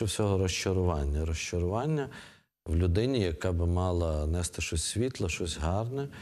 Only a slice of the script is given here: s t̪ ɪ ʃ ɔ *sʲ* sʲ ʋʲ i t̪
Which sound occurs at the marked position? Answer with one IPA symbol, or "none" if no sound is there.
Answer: sʲ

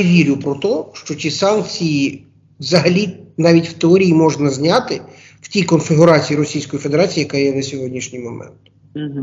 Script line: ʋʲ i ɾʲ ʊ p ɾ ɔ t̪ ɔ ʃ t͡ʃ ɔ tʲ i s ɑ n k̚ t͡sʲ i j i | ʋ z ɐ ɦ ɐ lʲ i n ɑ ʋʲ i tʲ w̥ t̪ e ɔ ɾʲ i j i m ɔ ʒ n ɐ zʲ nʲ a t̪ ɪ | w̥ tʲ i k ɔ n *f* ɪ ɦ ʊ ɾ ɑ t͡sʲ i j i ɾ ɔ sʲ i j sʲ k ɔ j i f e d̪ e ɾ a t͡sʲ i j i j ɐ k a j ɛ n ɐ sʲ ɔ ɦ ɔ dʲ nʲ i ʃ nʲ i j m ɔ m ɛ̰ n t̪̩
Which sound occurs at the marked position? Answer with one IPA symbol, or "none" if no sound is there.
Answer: f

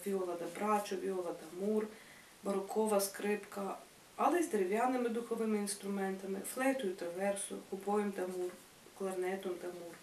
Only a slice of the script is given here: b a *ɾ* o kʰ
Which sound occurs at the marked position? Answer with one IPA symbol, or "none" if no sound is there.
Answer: ɾ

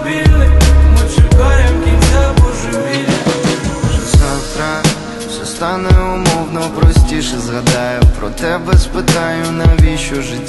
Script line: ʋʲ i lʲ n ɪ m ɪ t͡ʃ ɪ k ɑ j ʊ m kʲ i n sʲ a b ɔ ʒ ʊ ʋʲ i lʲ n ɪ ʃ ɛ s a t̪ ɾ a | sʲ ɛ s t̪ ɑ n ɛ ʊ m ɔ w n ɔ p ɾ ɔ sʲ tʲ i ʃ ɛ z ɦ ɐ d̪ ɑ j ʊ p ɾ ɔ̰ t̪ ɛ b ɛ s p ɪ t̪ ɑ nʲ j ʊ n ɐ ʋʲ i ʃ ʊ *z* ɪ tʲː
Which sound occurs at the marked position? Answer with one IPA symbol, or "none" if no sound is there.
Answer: ʒ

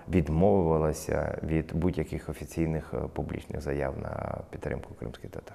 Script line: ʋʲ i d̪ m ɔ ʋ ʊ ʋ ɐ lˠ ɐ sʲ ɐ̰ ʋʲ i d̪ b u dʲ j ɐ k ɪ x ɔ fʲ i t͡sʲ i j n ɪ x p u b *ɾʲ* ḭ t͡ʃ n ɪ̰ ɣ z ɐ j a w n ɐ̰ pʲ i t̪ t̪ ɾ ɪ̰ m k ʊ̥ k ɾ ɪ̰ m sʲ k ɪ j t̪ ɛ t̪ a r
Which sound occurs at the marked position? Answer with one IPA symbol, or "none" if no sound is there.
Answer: lʲ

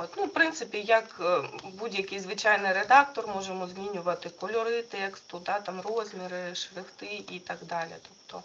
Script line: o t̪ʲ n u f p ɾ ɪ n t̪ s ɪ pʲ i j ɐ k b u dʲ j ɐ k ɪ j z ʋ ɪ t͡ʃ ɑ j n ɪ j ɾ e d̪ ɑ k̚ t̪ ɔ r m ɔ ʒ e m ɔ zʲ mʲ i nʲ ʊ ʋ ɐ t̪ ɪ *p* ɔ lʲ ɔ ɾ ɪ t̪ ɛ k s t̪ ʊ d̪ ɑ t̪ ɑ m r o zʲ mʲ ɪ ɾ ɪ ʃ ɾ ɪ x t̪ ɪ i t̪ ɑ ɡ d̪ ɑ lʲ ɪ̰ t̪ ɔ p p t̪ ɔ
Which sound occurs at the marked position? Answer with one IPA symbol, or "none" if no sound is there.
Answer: k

